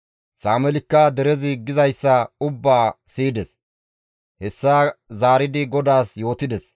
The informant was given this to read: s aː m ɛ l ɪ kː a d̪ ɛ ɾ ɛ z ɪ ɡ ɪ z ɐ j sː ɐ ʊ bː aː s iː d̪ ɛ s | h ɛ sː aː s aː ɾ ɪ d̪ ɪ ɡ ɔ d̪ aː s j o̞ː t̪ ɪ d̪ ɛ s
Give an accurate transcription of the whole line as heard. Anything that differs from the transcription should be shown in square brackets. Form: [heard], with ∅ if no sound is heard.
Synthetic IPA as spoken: s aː m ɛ l ɪ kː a d̪ ɛ ɾ ɛ z ɪ ɡ ɪ z ɐ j sː ɐ ʊ bː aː s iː d̪ ɛ s | h ɛ sː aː [z] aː ɾ ɪ d̪ ɪ ɡ ɔ d̪ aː s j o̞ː t̪ ɪ d̪ ɛ s